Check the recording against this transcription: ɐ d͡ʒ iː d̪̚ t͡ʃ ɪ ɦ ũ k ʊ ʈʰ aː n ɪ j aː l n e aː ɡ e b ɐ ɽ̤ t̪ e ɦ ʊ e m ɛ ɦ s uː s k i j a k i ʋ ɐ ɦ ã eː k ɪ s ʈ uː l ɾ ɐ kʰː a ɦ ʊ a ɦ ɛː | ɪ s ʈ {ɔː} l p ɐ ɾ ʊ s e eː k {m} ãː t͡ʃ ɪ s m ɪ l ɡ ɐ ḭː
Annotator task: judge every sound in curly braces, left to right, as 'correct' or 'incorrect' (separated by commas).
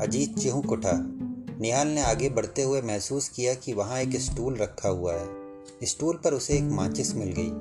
incorrect, correct